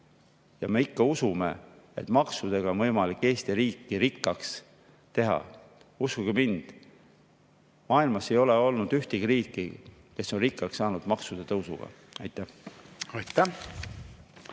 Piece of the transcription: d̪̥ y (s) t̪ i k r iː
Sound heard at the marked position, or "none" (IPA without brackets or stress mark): h